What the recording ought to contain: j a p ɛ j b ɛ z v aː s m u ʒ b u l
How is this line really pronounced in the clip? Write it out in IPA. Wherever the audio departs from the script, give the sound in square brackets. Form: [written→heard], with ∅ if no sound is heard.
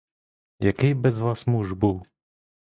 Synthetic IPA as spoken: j a [p→k] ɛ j b ɛ z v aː s m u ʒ b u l